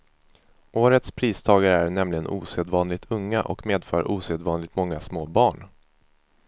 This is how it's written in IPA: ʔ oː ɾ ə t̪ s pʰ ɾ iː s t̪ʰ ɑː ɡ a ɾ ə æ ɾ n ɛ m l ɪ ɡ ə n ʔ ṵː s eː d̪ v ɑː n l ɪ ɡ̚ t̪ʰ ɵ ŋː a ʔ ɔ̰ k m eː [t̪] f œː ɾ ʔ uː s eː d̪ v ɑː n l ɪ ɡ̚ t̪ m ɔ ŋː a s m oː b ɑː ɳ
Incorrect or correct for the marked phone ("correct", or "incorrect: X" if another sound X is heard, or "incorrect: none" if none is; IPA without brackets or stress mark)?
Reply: incorrect: d̪